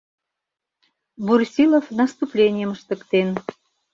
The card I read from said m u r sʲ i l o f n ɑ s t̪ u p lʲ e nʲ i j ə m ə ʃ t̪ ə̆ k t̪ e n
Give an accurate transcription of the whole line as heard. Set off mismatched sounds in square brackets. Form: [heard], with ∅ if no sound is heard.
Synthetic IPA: [b] u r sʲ i l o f n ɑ s t̪ u p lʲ e nʲ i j ə m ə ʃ t̪ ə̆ k t̪ e n